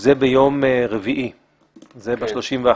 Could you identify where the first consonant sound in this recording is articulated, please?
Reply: alveolar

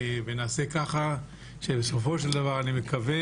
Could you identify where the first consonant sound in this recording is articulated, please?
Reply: labial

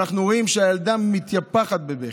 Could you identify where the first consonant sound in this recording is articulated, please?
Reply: uvular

